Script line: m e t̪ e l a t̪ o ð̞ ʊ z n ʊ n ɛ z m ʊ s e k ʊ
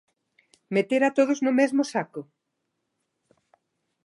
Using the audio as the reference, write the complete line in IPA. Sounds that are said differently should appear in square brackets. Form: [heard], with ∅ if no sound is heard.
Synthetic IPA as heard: m e t̪ e [ɾ] a t̪ o ð̞ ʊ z n ʊ [m] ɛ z m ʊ s [a] k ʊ

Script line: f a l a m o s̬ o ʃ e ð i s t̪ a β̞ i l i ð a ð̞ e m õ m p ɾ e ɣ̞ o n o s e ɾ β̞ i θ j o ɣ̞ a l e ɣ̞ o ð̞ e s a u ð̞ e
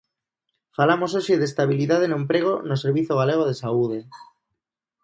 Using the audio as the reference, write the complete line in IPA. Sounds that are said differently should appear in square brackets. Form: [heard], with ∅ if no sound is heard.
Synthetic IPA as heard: f a l a m o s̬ o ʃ e ð [e] s t̪ a β̞ i l i ð a ð̞ e [n] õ m p ɾ e ɣ̞ o n o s e ɾ β̞ i θ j o ɣ̞ a l e ɣ̞ o ð̞ e s a u ð̞ e

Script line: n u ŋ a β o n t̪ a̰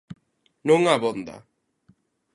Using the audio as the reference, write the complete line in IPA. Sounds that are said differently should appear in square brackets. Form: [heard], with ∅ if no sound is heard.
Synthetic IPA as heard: n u ŋ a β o n [d̪] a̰

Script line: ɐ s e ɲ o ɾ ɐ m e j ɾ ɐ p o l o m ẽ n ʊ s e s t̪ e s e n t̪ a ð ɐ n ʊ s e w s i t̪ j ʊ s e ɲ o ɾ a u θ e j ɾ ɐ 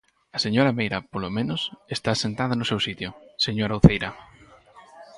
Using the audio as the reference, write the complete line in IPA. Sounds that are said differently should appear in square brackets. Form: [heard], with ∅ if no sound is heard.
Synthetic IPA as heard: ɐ s e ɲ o ɾ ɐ m e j ɾ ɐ p o l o m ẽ n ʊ s e s t̪ [a] s e n t̪ a ð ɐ n ʊ s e w s i t̪ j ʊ s e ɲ o ɾ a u θ e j ɾ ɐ

